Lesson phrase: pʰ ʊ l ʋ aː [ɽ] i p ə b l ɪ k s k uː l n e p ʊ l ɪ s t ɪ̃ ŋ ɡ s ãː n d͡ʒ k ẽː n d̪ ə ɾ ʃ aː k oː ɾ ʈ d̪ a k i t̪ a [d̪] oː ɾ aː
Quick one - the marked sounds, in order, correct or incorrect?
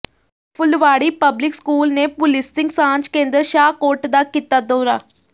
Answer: correct, correct

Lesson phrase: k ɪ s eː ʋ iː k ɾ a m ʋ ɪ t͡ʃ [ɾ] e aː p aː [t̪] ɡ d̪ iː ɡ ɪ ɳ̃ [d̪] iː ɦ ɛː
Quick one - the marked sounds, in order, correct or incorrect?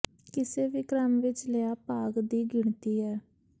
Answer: incorrect: l, incorrect: none, incorrect: t̪

